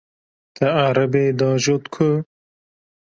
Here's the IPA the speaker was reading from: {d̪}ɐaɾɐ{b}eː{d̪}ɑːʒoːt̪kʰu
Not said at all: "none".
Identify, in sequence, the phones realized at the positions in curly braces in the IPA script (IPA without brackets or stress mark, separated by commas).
t̪, b, d̪